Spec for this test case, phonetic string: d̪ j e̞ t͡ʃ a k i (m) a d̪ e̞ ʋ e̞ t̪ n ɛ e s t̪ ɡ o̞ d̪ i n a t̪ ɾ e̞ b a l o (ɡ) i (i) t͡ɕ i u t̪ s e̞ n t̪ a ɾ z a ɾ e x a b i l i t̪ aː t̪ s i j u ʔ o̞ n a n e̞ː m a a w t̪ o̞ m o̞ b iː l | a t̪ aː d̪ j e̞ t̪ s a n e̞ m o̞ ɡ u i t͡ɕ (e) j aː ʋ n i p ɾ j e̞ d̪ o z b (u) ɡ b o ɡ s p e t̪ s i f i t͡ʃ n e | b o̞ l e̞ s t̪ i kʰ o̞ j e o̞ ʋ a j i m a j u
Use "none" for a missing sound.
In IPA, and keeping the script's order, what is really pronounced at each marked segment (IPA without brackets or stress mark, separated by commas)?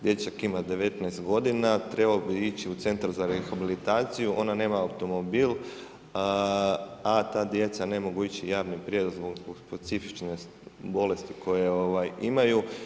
m, b, i, i, o